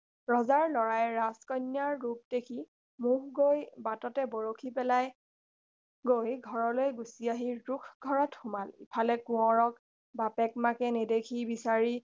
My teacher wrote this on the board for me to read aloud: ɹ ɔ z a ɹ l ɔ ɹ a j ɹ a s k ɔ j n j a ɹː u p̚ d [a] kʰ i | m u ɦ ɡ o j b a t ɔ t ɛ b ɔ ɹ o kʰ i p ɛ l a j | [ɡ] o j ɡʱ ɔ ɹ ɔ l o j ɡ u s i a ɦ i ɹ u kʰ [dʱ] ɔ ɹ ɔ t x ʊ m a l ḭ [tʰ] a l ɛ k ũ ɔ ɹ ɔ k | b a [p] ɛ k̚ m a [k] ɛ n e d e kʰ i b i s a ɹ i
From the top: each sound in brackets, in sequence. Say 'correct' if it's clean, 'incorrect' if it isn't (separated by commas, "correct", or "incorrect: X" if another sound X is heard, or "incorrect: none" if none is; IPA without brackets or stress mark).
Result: incorrect: e, correct, incorrect: ɡʱ, incorrect: pʰ, correct, correct